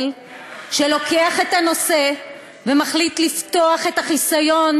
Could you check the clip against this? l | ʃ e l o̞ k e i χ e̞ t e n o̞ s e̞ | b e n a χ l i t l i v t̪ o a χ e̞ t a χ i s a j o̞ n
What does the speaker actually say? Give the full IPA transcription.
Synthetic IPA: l | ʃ e l o̞ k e a χ e̞ t a n o̞ s e̞ | v e m a χ l i t l i f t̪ o a χ e̞ t a χ i s a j o̞ n

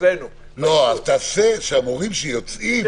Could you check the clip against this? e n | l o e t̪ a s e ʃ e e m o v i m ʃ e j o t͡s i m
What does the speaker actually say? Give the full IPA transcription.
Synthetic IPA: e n | l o a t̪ a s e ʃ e a m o ʁ i m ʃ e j o t͡s i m

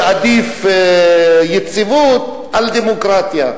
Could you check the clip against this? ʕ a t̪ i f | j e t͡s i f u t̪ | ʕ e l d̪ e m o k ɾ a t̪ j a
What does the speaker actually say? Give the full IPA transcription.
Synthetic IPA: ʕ a d̪ i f | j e t͡s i v u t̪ | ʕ a l d̪ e m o k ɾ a t̪ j a

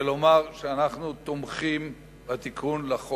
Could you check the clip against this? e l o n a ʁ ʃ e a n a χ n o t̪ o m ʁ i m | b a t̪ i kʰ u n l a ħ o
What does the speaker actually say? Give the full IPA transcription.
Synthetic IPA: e l o m a ʁ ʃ e a n a χ n u t̪ o m χ i m | b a t̪ i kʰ u n l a χ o

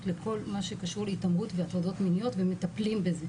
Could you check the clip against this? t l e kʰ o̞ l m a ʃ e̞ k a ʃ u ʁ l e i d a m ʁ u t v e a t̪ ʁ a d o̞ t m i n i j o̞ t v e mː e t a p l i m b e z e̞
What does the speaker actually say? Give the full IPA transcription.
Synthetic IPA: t l e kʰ o̞ l m a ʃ e̞ k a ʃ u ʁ l e i t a m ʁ u t v e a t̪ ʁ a d o̞ t m i n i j o̞ t v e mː e t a p l i m b e z e̞

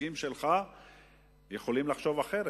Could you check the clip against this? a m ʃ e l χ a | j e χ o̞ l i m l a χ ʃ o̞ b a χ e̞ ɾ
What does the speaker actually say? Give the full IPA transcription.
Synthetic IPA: i m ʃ e l χ a | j e χ o̞ l i m l a χ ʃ o̞ v a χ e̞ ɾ

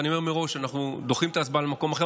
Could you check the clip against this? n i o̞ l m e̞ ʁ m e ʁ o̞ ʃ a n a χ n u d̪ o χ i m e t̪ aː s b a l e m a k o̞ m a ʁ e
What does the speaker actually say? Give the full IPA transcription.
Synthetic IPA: n i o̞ m e̞ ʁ m e ʁ o̞ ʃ a n a χ n u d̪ o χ i m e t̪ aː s b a l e m a k o̞ m a χ e

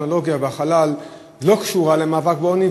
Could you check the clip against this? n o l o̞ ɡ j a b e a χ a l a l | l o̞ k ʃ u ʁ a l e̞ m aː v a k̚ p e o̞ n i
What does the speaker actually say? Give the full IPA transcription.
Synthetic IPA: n o l o̞ ɡ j a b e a χ a l a l | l o̞ k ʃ u ʁ a l e̞ m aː v a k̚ b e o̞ n i

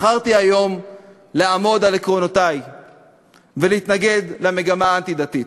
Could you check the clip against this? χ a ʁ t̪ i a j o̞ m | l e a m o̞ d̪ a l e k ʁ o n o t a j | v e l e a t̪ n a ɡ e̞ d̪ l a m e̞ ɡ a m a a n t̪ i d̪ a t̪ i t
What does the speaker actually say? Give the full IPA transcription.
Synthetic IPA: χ a ʁ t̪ i a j o̞ m | l e a m o̞ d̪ a l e k ʁ o n o t a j | v e l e i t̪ n a ɡ e̞ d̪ l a m e̞ ɡ a m a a n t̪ i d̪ a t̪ i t

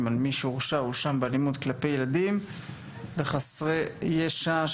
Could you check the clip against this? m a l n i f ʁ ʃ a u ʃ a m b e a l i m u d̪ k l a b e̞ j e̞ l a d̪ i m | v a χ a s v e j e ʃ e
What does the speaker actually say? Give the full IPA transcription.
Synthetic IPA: m a l m i ʃ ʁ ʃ a u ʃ a m b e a l i m u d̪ k l a p e̞ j e̞ l a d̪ i m | v e χ a s ʁ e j e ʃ a

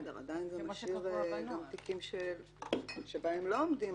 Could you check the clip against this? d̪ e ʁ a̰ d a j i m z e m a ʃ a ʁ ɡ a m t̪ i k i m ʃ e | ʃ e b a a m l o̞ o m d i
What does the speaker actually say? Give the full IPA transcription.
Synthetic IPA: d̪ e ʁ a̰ d a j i n z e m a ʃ i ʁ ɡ a m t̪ i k i m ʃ e | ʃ e b a e m l o̞ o m d i

